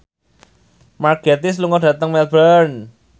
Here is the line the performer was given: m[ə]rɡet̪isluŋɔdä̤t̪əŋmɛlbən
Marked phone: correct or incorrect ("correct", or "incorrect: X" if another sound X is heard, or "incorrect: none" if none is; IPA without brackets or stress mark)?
incorrect: a